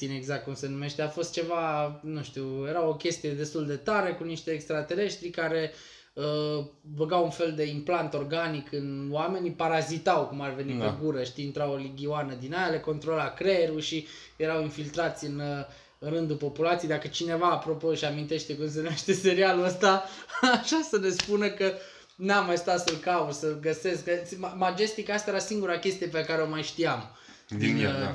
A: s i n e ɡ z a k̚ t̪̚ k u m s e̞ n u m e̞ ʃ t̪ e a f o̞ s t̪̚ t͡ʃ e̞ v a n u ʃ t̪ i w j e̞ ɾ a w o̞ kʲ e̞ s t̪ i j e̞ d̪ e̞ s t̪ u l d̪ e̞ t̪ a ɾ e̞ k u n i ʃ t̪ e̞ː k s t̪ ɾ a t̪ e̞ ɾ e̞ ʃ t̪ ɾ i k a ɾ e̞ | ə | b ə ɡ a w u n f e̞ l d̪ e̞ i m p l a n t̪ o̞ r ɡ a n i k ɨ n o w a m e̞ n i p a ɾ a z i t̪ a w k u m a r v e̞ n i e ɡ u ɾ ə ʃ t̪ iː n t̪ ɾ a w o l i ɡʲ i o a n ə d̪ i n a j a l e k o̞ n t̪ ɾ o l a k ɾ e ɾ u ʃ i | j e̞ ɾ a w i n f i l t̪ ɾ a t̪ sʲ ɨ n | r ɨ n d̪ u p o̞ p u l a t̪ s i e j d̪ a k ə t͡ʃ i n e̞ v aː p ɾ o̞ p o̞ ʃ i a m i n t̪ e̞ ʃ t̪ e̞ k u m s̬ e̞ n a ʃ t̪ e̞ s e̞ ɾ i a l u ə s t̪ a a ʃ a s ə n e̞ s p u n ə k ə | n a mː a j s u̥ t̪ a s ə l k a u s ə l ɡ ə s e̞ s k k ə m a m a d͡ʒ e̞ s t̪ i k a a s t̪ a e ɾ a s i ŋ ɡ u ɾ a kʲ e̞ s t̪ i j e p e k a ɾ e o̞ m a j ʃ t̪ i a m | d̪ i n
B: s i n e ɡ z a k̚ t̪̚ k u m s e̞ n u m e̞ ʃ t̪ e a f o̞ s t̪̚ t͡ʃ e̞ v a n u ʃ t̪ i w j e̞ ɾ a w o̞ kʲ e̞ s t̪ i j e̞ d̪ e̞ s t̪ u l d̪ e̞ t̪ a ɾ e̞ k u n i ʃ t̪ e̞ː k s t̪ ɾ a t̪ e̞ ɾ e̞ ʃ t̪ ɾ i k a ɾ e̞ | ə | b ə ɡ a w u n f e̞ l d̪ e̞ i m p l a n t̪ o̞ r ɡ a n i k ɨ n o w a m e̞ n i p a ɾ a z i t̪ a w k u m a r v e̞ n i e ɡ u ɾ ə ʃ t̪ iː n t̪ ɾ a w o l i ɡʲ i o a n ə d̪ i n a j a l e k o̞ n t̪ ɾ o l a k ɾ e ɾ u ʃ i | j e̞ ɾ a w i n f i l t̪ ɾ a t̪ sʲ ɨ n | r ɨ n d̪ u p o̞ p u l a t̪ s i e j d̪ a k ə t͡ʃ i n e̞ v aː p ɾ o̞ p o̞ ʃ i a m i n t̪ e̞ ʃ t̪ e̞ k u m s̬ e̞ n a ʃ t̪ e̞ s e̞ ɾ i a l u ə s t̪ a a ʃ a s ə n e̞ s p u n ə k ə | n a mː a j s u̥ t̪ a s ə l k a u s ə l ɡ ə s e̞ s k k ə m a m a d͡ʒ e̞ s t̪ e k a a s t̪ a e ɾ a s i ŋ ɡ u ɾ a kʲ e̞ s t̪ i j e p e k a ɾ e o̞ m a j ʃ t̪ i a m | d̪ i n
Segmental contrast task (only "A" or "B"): A